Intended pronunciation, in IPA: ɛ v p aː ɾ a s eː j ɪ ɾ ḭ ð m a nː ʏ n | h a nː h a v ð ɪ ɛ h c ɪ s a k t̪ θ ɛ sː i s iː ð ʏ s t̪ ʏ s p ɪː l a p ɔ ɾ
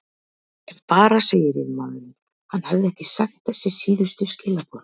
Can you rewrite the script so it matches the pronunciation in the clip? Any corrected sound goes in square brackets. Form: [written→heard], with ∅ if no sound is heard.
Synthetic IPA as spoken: ɛ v p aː ɾ a s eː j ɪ ɾ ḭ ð m a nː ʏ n | h a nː h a v ð ɪ ɛ h c ɪ s a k t̪ θ ɛ sː [i→ɪ] s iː ð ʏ s t̪ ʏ s [p→c] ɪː l a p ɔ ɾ